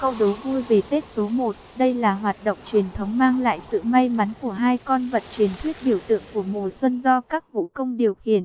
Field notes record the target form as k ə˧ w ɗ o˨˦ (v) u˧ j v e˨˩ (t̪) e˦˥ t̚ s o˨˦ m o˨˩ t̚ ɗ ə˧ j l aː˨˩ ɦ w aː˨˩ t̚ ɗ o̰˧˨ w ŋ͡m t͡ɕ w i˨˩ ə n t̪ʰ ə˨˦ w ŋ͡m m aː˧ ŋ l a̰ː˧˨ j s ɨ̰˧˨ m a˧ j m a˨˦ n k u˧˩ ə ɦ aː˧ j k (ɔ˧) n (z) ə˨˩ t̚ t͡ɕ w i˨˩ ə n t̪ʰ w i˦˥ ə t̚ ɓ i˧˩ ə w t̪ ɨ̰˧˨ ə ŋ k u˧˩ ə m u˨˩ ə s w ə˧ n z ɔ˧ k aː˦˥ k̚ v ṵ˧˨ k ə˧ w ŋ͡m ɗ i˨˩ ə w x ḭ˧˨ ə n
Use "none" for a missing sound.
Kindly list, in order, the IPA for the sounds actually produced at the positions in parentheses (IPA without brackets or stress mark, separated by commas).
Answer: v, t̪, ɔ˧, v